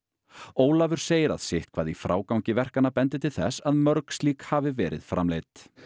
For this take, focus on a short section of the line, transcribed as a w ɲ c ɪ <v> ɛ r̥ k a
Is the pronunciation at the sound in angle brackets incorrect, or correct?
correct